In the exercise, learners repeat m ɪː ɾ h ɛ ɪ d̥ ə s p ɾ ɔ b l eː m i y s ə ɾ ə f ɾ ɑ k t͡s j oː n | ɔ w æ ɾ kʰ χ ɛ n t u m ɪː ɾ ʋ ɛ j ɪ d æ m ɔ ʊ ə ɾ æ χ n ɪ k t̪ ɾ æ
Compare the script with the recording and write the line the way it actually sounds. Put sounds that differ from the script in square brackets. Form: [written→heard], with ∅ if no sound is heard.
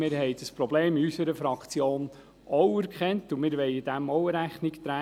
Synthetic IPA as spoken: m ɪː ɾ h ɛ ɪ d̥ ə s p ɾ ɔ b l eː m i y s ə ɾ ə f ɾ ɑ k t͡s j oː n | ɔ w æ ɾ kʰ χ ɛ n t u m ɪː ɾ ʋ ɛ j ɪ d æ m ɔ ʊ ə ɾ æ χ n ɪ k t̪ ɾ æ